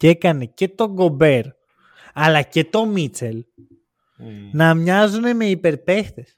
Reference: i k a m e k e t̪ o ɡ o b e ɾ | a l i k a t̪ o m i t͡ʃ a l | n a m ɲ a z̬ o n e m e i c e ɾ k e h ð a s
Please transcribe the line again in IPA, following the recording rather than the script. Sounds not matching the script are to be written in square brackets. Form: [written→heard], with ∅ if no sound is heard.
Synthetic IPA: [i→e] k a [m→n] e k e t̪ o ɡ o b e ɾ | a l [i→a] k [a→e] t̪ o m i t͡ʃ [a→e] l | n a m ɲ a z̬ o n e m e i [c→p] e ɾ [k→p] e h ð [a→e] s